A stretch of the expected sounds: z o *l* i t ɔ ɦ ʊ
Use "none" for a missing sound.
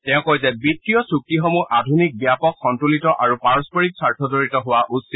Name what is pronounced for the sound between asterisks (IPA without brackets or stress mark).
ɹ